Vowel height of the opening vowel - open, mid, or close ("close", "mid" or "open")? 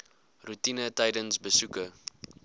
close